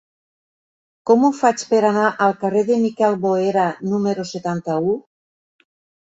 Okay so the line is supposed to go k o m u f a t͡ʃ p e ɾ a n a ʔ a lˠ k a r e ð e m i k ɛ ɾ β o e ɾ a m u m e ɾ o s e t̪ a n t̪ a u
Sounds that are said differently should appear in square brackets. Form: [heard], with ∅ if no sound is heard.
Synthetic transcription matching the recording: k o m u f a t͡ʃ p e ɾ a n a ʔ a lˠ k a r e ð e m i k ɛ [l] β o e ɾ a [n] u m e ɾ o s e t̪ a n t̪ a u